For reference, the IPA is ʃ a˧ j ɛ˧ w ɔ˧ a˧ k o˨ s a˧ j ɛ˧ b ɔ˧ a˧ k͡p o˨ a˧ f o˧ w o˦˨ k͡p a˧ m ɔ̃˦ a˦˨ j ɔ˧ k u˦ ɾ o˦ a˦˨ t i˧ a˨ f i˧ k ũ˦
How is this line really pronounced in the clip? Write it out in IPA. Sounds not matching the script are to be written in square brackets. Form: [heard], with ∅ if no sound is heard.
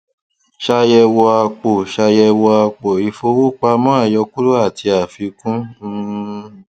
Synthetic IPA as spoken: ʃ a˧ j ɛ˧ w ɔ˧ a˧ [k͡p] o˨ [ʃ] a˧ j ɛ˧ [w] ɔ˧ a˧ k͡p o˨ [i˧] f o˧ w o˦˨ k͡p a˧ m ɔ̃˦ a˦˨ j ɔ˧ k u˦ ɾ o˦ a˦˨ t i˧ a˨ f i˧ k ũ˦